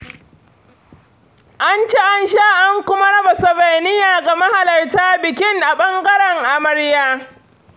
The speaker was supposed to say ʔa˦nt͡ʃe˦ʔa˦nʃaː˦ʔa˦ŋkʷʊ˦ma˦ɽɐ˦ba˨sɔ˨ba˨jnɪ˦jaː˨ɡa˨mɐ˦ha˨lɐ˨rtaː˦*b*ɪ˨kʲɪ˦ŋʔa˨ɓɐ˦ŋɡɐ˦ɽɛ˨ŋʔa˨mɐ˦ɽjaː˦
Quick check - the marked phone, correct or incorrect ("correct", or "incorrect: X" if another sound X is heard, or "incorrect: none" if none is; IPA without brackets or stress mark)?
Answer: correct